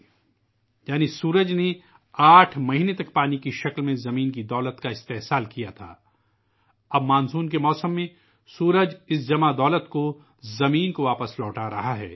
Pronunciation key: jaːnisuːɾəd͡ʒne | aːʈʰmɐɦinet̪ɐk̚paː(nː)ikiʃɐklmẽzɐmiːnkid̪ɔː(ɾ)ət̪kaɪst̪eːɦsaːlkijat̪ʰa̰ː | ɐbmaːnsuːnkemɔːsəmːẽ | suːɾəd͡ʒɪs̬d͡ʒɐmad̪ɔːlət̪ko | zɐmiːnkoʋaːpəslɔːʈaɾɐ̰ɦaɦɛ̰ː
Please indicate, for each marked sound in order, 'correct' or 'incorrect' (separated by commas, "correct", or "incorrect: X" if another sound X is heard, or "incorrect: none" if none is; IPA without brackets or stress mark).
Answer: incorrect: n, incorrect: l